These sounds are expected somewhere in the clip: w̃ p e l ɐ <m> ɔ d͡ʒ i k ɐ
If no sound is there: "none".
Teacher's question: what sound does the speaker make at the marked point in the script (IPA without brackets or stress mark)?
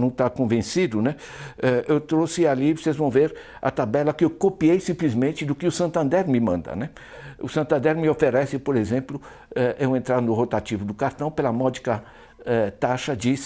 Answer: m